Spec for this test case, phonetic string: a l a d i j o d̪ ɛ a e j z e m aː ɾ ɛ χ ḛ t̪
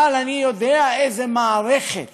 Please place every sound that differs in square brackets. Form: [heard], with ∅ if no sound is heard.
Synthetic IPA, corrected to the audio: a l a [n] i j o d̪ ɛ a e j z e m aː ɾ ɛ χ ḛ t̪